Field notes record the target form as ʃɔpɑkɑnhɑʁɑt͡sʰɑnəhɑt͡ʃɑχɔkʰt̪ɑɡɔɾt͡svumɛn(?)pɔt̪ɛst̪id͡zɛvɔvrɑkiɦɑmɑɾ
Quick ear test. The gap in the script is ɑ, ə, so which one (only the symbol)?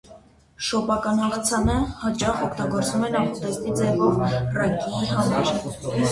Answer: ɑ